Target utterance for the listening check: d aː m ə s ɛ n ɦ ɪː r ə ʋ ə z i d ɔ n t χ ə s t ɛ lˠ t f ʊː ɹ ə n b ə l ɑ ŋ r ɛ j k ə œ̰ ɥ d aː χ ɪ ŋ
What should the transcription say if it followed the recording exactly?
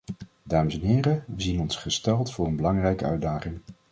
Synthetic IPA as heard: d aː m ə s ɛ n ɦ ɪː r ə ʋ ə z i n ɔ n s χ ə s t ɛ lˠ t f ʊː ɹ ə n b ə l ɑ ŋ r ɛ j k ə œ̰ ɥ d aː χ ɪ ŋ